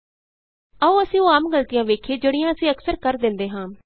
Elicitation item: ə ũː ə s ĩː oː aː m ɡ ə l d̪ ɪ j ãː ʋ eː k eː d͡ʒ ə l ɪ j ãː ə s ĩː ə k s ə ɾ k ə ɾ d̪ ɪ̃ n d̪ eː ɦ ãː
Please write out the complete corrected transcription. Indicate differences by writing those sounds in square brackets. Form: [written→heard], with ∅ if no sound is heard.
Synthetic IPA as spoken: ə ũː ə s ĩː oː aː m ɡ ə l [d̪→t̪] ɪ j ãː ʋ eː [k→kʰ] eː d͡ʒ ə [l→ɽ] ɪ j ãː ə s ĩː ə k s ə ɾ k ə ɾ d̪ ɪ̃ n d̪ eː ɦ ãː

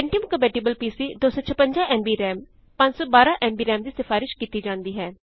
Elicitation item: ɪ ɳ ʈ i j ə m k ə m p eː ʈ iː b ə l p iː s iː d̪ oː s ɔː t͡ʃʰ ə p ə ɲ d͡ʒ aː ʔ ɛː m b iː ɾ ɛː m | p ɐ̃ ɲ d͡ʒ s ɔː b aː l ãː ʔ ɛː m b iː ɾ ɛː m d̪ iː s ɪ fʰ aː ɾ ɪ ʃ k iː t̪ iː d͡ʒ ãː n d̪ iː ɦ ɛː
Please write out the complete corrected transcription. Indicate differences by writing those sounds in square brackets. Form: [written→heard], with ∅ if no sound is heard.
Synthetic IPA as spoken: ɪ ɳ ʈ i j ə m k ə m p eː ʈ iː b ə l p iː s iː d̪ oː s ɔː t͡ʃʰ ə p ə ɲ d͡ʒ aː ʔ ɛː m b iː ɾ ɛː m | p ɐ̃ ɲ d͡ʒ s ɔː b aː [l→ɾ] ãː ʔ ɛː m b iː ɾ ɛː m d̪ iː s ɪ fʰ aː ɾ ɪ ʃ k iː t̪ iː d͡ʒ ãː n d̪ iː ɦ ɛː

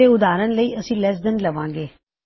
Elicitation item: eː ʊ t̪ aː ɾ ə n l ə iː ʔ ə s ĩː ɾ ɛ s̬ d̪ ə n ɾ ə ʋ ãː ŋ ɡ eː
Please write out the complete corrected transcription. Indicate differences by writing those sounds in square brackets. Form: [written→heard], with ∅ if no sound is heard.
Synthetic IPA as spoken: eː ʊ [t̪→d̪] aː ɾ ə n l ə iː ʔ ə s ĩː [ɾ→l] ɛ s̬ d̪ ə n [ɾ→l] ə ʋ ãː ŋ ɡ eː

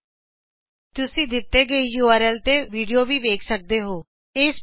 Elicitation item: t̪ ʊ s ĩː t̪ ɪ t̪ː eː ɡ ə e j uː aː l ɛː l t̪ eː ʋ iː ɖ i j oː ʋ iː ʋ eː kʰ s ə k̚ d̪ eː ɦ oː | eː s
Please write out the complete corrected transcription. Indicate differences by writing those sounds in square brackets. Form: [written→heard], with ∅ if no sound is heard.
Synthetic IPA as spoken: t̪ ʊ s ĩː [t̪→d̪] ɪ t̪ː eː ɡ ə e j uː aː [l→ɾ] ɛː l t̪ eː ʋ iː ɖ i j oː ʋ iː ʋ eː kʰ s ə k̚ d̪ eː ɦ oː | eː s

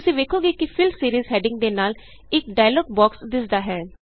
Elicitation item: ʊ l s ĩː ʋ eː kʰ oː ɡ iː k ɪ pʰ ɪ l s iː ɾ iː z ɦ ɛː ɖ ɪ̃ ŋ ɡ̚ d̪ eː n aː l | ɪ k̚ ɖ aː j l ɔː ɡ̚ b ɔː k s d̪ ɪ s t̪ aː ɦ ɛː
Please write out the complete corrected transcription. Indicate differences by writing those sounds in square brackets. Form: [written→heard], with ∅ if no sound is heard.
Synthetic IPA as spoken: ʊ [l→∅] s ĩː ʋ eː kʰ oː ɡ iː k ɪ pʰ ɪ l s iː ɾ iː z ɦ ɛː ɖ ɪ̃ ŋ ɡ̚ d̪ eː n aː l | ɪ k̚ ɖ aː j l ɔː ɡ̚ b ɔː k s d̪ ɪ s [t̪→d̪] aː ɦ ɛː

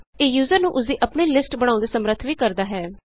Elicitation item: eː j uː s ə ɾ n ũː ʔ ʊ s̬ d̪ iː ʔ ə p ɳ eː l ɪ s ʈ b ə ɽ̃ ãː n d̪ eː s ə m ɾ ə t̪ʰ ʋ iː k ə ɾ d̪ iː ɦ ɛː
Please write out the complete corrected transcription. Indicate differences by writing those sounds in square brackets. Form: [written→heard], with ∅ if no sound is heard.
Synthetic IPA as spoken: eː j uː [s→z] ə ɾ n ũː ʔ ʊ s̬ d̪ iː ʔ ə p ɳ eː l ɪ s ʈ b ə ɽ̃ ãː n d̪ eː s ə m ɾ ə t̪ʰ ʋ iː k ə ɾ d̪ [iː→aː] ɦ ɛː

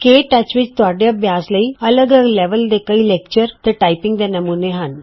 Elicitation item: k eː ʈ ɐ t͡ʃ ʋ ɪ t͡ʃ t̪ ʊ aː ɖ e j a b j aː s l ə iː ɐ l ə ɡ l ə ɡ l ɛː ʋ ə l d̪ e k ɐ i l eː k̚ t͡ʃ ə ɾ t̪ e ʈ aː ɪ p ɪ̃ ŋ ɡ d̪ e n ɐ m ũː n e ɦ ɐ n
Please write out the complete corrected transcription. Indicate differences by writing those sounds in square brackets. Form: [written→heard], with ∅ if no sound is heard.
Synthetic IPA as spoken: k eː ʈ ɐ t͡ʃ ʋ ɪ t͡ʃ t̪ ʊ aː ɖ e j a b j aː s l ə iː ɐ l ə ɡ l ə ɡ l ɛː ʋ ə l d̪ e k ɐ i l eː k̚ t͡ʃ ə ɾ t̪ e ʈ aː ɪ p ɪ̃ ŋ ɡ d̪ e n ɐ m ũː n e ɦ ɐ n

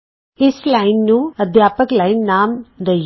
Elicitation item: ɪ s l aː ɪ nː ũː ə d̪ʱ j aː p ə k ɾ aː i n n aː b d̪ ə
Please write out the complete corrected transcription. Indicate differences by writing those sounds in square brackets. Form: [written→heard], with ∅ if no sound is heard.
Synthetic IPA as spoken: ɪ s l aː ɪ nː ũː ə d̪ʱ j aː p ə k [ɾ→l] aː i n n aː [b→m] d̪ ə

